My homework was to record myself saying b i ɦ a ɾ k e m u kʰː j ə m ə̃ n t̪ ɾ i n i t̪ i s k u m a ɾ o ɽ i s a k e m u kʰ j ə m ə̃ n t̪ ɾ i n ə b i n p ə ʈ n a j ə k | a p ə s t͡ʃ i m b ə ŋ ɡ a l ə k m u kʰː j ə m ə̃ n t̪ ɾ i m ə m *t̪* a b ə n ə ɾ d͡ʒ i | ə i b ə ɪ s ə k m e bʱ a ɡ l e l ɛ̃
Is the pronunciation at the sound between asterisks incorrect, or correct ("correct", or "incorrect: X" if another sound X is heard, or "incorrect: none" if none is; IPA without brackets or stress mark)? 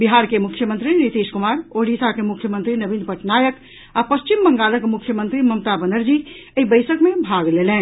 correct